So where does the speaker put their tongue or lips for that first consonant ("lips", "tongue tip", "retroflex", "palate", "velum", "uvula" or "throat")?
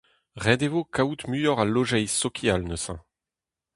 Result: uvula